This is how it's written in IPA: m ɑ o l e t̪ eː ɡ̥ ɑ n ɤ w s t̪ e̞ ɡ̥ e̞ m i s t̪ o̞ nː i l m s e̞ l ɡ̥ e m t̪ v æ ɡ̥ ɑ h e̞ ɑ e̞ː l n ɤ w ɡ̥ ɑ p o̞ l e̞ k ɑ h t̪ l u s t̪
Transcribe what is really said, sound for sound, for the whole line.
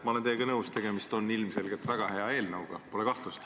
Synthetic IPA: m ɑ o l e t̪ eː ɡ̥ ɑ n ɤ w s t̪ e̞ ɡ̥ e̞ m i s t̪ o̞ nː i l m s e̞ l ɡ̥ e t̪ v æ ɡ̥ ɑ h e̞ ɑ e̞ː l n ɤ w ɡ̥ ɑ p o̞ l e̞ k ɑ h t̪ l u s t̪